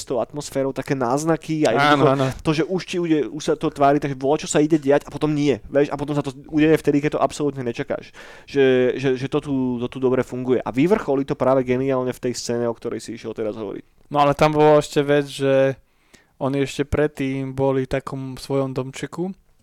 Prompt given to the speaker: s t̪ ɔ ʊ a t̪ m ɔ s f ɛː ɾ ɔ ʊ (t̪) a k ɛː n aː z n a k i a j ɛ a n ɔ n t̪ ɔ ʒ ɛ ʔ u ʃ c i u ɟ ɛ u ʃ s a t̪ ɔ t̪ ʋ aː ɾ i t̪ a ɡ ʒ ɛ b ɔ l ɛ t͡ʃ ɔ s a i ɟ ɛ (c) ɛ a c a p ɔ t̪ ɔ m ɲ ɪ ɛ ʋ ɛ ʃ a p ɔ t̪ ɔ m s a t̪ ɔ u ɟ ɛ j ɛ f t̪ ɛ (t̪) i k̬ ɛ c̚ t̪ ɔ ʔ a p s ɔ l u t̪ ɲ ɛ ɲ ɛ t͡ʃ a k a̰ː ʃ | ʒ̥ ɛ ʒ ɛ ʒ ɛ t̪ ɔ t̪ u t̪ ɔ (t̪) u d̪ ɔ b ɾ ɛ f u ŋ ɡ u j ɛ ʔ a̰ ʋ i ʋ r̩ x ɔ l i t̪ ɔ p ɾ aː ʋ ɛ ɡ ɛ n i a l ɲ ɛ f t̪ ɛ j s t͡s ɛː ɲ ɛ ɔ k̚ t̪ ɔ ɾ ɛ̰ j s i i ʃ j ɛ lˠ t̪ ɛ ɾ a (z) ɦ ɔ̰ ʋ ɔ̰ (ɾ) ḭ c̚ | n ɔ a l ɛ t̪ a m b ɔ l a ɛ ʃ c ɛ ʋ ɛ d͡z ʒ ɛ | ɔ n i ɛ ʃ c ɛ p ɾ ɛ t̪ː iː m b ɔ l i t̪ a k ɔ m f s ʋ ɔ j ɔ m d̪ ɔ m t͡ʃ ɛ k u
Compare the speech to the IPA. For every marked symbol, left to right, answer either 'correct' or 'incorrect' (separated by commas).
correct, incorrect, incorrect, correct, correct, correct